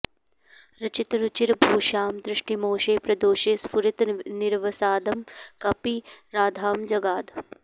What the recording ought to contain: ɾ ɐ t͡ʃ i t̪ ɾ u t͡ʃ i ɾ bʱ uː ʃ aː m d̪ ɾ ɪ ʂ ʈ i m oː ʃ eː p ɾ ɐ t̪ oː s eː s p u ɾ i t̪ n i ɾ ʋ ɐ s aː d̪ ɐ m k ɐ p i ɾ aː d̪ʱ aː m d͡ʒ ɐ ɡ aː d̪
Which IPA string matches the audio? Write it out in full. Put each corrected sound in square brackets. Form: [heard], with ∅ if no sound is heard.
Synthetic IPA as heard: ɾ ɐ t͡ʃ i t̪ ɾ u t͡ʃ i ɾ bʱ uː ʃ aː m d̪ ɾ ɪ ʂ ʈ i m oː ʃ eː p ɾ ɐ [d̪] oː [ʃ] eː s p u ɾ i t̪ n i ɾ ʋ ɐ s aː d̪ ɐ m k ɐ p i ɾ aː d̪ʱ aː m d͡ʒ ɐ ɡ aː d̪